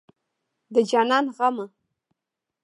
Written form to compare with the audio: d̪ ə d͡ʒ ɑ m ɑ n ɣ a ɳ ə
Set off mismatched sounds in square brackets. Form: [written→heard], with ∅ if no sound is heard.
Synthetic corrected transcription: d̪ ə d͡ʒ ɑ [m→n] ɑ n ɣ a [ɳ→m] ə